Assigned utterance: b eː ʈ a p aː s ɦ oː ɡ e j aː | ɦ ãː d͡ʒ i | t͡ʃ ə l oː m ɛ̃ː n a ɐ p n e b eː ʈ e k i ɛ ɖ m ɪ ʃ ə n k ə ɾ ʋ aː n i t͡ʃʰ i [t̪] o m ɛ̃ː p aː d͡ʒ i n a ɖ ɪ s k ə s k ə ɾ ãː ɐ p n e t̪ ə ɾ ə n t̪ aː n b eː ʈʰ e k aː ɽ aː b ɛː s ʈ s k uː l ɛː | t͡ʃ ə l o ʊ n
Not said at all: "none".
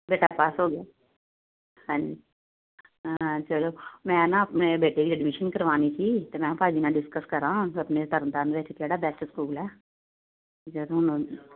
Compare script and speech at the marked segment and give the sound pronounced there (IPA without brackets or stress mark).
t̪